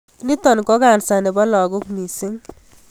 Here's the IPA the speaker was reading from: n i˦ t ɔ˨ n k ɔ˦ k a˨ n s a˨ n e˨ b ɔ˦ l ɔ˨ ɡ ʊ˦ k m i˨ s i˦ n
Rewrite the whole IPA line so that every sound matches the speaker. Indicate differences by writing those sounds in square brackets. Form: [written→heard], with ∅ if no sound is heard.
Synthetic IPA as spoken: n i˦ t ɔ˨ n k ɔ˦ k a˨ n s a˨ n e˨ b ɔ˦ l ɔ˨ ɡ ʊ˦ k m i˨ s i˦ [n→ŋ]

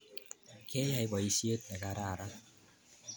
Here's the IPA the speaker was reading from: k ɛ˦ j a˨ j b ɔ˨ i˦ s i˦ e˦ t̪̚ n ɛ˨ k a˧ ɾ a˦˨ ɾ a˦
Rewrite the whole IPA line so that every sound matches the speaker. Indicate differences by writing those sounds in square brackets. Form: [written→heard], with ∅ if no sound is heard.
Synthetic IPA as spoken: k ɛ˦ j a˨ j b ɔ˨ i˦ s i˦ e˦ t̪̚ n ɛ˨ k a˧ ɾ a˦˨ ɾ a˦

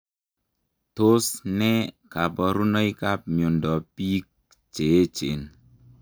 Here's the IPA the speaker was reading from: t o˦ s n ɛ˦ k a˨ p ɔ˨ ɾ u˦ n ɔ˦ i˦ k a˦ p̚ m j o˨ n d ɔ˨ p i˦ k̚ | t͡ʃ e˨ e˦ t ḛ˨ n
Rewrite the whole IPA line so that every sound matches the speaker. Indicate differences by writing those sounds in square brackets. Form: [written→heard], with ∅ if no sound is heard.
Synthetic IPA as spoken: t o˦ s n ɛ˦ k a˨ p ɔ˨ ɾ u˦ n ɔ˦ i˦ k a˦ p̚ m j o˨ n d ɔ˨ p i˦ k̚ | t͡ʃ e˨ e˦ [t→t͡ʃ] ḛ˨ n

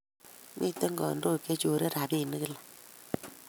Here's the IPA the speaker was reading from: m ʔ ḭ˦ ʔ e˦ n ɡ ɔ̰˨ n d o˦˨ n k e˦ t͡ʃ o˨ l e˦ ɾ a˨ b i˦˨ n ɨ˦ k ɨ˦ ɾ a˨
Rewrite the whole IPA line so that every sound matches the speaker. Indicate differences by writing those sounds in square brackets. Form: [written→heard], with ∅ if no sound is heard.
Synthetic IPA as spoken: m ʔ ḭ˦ [ʔ→t] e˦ [n→ŋ] ɡ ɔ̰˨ n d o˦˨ [n→∅] k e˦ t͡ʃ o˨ [l→ɾ] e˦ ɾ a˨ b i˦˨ n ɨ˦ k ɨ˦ [ɾ→l] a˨

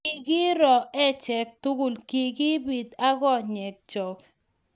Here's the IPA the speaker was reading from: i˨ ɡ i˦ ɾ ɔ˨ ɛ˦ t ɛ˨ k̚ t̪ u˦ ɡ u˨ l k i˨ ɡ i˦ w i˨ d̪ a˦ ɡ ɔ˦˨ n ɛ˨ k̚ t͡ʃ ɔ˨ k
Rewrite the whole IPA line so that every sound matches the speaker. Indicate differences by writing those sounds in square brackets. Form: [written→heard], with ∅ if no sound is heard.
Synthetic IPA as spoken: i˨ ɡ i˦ ɾ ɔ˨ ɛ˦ [t→t͡ʃ] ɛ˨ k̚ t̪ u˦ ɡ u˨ l k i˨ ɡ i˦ [w→b] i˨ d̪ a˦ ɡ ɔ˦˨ [n→ɲ] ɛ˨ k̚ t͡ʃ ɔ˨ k

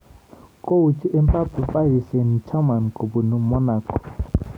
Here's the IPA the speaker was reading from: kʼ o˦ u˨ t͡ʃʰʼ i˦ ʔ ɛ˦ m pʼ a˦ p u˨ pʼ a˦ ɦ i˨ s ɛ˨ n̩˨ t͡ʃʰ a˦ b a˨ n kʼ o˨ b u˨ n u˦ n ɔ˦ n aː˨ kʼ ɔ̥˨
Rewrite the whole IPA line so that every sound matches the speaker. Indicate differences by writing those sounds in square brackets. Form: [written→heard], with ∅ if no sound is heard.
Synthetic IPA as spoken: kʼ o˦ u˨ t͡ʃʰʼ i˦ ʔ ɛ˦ m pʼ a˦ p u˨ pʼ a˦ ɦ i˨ s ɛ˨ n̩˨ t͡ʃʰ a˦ [b→m] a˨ n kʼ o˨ b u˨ n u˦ [n→m] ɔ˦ n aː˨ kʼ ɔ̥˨

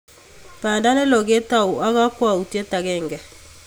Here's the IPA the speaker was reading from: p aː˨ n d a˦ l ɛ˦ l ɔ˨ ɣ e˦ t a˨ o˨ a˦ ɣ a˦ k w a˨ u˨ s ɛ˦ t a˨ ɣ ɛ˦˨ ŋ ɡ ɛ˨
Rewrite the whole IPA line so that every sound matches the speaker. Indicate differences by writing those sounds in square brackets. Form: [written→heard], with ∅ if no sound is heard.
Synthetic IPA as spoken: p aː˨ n d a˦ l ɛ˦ l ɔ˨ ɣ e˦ t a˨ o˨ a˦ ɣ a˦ k w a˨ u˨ [s→t] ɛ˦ t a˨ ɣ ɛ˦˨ ŋ ɡ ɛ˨

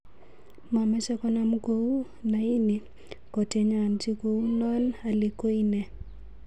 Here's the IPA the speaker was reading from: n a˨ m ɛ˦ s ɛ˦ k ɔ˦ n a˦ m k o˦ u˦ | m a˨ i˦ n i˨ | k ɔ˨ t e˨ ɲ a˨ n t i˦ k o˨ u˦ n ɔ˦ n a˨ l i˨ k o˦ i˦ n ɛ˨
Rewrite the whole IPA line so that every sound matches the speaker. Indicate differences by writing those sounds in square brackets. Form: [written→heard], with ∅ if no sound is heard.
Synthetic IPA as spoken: [n→m] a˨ m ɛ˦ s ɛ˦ k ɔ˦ n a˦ m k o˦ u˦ | [m→n] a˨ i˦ n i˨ | k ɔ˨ t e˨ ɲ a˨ n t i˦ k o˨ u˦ n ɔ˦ n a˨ l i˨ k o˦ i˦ n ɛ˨

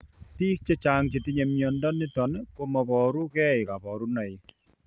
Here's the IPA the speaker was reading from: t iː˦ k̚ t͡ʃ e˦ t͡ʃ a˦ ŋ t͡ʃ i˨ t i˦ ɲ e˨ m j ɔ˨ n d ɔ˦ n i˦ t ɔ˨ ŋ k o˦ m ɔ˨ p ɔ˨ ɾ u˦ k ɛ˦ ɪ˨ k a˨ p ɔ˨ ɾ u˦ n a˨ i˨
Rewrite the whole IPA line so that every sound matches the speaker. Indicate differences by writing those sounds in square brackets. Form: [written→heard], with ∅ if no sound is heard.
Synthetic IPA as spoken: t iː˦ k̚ t͡ʃ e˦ t͡ʃ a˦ ŋ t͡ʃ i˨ t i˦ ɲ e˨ m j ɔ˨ n d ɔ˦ n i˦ t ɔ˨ [ŋ→n] k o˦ m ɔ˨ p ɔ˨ ɾ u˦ k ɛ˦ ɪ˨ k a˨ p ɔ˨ ɾ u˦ n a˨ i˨

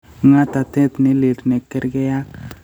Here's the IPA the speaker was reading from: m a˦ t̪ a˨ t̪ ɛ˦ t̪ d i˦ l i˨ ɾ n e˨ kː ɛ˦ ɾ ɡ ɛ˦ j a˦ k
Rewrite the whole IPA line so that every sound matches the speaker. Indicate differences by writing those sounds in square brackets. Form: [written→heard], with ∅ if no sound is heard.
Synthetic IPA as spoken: [m→ŋ] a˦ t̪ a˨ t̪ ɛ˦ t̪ [d→n] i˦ l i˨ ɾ n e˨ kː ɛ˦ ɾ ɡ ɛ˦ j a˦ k

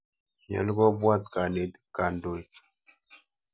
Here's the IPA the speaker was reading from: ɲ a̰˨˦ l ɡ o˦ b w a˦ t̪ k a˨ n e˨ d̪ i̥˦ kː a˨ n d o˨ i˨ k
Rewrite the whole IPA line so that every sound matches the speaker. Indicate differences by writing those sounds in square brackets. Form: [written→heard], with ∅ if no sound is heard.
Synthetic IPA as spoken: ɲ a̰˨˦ l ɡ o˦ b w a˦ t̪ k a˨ n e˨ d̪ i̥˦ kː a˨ n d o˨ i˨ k

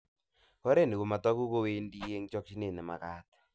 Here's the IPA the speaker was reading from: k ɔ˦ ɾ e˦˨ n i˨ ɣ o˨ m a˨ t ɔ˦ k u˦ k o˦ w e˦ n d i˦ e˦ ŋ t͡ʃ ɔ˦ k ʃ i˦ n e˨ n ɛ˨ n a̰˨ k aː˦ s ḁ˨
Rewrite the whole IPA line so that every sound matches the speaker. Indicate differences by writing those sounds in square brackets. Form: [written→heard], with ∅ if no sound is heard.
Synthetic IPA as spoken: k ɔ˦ ɾ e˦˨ n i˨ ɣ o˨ m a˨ t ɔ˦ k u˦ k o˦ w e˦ n d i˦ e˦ ŋ t͡ʃ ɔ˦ k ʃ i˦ n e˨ n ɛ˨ [n→m] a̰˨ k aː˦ [s→t] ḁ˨

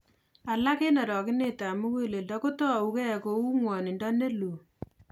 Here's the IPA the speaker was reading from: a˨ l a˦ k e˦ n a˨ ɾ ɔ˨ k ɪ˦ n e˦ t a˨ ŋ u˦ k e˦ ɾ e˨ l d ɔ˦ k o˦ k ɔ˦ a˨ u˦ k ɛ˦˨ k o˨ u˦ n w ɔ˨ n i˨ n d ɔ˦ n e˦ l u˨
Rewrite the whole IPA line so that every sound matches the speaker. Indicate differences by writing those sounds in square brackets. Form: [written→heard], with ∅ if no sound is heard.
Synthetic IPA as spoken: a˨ l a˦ k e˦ n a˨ ɾ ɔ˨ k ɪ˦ n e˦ t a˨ [ŋ→m] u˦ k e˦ [ɾ→l] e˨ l d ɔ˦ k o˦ [k→t] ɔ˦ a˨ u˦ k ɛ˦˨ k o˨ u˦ [n→ŋ] w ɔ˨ n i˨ n d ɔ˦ n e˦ l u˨

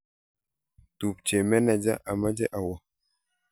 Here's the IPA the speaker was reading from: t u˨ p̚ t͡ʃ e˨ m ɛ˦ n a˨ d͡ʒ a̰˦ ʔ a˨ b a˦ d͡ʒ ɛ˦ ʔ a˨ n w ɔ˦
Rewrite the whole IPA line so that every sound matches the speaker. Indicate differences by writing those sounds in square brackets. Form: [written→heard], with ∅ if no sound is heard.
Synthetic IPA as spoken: t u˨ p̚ t͡ʃ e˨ m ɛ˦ n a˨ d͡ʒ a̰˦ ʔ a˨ [b→m] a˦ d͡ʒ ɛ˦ ʔ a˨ [n→∅] w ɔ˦

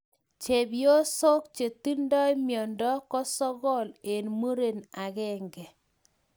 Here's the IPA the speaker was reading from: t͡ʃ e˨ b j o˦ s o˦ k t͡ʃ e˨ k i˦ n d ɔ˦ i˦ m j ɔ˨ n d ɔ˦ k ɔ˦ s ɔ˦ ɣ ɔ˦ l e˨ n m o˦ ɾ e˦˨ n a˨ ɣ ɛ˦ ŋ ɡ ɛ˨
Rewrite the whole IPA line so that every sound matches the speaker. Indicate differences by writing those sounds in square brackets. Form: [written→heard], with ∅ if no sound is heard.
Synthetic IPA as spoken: t͡ʃ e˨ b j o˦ s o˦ k t͡ʃ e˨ [k→t] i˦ n d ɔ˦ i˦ m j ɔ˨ n d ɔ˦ k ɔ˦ s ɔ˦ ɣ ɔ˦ l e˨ n m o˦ ɾ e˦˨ n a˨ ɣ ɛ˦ ŋ ɡ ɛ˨

